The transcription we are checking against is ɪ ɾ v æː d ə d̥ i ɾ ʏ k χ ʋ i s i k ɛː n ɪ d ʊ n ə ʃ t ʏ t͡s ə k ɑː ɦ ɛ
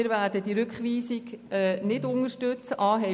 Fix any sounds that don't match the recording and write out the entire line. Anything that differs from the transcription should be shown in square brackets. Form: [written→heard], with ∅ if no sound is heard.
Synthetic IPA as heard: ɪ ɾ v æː d ə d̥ i ɾ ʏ k χ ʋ [i→iː] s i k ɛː n ɪ d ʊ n ə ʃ t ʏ t͡s ə [k→ʔ] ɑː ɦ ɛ